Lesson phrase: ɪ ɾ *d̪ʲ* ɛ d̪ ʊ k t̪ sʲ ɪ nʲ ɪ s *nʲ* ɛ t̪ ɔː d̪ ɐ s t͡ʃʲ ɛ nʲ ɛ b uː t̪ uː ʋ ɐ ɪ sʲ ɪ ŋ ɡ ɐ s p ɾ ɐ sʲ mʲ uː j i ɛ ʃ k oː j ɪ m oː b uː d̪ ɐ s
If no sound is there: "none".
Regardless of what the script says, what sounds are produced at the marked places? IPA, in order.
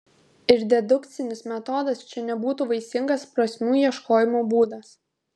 d̪ʲ, mʲ

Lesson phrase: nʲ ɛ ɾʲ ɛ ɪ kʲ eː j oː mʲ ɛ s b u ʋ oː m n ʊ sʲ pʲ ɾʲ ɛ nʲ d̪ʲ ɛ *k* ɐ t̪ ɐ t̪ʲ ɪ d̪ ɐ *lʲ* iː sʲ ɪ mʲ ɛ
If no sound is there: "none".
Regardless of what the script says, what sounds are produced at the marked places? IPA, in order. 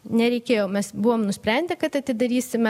k, ɾʲ

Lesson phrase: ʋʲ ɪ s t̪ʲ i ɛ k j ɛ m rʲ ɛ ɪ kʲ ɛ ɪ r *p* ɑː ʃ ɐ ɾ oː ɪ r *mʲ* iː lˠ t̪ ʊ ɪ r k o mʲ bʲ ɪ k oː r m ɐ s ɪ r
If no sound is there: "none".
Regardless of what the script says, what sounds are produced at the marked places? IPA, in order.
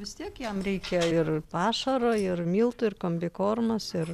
p, mʲ

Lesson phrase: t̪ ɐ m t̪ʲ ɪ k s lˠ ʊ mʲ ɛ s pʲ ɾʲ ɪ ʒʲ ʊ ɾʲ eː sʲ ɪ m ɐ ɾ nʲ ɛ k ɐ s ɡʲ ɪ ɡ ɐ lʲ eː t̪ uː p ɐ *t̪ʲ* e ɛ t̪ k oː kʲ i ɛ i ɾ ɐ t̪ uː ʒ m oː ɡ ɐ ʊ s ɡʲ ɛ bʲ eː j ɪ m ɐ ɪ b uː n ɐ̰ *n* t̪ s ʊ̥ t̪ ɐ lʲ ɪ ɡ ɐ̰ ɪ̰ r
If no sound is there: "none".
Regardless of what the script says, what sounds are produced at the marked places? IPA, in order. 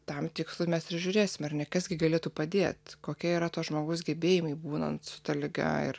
d̪ʲ, n

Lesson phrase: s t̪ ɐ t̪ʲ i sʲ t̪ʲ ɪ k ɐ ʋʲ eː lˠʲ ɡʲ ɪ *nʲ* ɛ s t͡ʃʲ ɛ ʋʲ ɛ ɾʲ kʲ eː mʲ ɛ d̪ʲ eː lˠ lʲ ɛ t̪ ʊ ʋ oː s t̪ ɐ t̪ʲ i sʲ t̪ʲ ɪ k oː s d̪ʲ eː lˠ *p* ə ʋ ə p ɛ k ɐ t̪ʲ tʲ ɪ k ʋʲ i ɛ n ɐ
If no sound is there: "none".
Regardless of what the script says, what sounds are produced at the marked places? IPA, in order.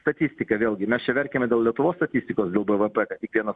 mʲ, b

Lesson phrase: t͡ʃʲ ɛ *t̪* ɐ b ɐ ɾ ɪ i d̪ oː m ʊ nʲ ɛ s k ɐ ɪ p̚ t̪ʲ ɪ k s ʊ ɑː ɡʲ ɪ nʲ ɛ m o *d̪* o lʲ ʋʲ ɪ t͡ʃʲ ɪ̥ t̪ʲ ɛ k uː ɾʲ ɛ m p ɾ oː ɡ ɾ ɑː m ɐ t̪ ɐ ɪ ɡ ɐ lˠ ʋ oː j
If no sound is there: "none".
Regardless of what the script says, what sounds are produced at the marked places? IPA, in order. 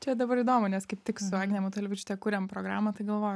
d̪, t̪

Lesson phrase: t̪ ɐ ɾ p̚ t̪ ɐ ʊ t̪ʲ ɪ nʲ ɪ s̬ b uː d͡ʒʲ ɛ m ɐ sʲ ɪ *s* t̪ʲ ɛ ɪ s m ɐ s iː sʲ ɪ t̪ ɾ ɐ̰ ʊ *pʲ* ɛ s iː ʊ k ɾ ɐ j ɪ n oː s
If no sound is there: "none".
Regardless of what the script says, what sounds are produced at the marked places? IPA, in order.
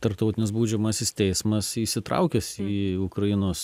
s, kʲ

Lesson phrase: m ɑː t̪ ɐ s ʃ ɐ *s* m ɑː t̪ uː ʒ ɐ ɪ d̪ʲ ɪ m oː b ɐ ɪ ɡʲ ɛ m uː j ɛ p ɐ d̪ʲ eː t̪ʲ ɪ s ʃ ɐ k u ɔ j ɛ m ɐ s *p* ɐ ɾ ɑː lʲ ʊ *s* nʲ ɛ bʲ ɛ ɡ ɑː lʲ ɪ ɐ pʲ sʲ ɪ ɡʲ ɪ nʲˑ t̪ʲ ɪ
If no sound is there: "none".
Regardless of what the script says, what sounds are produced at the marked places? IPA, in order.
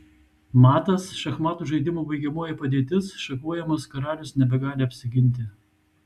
x, k, s

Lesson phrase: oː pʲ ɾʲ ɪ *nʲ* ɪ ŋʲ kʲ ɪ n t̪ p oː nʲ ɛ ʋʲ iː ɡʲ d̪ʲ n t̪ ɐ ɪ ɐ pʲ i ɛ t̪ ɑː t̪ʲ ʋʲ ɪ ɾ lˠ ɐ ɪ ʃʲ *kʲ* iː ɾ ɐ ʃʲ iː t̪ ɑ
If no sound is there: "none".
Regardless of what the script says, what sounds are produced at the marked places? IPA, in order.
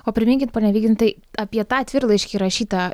mʲ, kʲ

